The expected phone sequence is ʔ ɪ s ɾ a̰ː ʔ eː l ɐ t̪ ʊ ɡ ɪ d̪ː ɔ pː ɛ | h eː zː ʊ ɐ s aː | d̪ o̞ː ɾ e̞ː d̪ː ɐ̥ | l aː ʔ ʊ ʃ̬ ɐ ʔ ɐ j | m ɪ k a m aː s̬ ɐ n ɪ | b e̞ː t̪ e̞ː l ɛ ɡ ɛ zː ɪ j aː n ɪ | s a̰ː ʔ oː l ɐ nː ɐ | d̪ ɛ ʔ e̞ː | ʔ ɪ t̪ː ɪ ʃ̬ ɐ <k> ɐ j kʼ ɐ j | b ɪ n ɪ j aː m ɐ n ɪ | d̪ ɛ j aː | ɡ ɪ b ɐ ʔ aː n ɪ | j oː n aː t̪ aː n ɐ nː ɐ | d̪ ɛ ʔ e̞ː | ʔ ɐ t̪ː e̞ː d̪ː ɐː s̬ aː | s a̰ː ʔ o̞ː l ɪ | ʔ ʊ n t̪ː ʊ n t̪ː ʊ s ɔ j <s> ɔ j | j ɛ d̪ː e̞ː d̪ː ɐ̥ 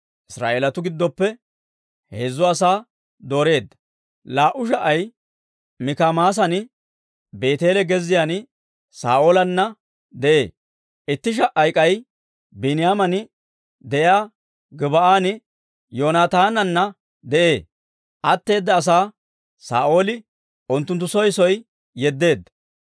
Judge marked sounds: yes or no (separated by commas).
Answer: no, yes